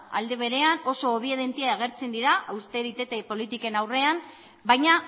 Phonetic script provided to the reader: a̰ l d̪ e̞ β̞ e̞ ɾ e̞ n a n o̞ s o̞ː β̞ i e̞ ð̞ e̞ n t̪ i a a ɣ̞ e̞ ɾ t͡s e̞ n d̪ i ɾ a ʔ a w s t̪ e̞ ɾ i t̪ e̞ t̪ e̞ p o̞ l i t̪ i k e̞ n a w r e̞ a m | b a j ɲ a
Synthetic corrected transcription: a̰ l d̪ e̞ β̞ e̞ ɾ e̞ a n o̞ s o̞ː β̞ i e̞ ð̞ e̞ n t̪ i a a ɣ̞ e̞ ɾ t͡s e̞ n d̪ i ɾ a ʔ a w s t̪ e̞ ɾ i t̪ e̞ t̪ e̞ p o̞ l i t̪ i k e̞ n a w r e̞ a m | b a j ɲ a